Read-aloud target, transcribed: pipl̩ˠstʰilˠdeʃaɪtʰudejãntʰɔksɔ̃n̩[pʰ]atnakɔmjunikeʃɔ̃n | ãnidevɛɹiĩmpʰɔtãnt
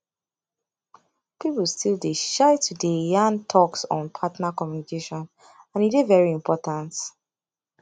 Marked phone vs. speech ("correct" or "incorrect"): correct